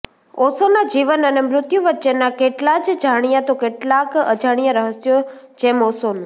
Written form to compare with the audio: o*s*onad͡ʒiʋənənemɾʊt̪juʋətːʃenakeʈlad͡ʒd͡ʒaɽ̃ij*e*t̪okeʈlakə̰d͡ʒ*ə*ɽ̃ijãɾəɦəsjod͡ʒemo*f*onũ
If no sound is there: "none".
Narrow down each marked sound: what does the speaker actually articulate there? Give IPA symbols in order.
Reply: s, a, a, s

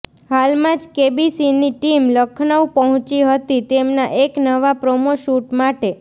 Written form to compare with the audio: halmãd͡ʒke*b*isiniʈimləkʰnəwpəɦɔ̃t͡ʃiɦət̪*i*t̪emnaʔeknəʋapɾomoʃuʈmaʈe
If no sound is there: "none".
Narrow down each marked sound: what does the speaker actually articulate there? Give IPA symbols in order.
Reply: b, i

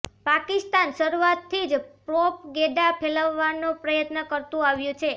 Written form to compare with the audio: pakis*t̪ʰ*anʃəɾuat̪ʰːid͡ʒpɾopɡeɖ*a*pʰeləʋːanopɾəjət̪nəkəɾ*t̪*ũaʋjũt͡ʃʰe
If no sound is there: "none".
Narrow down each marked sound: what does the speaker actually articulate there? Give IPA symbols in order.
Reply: t̪, a, t̪

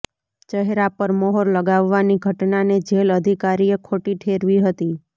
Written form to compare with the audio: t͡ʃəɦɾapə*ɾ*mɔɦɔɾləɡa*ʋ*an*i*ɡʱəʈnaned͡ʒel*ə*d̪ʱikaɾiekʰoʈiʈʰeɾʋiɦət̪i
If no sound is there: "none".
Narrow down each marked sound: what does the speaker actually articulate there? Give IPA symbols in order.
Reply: ɾ, ʋː, i, ə

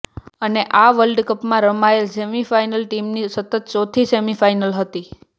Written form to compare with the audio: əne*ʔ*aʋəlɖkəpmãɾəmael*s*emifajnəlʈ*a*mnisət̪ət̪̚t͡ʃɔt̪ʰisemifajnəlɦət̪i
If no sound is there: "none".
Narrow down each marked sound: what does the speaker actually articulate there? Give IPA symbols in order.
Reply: ʔ, s, i

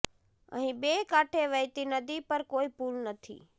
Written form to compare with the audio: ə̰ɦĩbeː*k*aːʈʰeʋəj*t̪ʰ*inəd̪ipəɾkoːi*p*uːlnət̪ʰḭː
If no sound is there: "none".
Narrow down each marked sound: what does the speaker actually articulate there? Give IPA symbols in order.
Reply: k, t̪, p

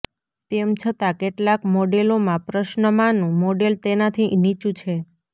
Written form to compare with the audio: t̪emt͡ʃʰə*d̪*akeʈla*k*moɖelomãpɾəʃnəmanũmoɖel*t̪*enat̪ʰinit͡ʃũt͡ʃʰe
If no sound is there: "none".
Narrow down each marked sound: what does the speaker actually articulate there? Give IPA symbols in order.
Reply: t̪, k, t̪

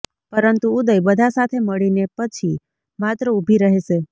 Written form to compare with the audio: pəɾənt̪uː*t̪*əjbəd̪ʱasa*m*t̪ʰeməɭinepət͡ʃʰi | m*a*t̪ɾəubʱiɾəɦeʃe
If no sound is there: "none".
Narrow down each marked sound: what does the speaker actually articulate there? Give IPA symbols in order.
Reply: d̪, none, a

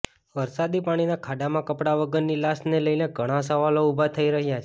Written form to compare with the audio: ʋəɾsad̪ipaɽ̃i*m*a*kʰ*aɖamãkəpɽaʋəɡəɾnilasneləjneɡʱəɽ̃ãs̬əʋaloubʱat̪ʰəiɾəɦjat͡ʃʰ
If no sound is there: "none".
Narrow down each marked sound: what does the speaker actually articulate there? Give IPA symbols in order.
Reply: n, kʰ

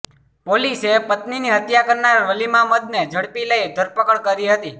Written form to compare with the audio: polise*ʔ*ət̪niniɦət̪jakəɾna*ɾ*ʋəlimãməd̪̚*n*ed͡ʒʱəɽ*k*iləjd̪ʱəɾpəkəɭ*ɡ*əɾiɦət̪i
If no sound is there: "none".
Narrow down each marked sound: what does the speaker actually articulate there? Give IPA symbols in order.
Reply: p, ɾ, n, p, k

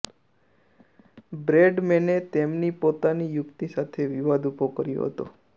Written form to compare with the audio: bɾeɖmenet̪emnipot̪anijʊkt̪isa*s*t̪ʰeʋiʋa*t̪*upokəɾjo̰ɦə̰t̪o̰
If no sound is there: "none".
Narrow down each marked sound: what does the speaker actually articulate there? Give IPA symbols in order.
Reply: none, d̪

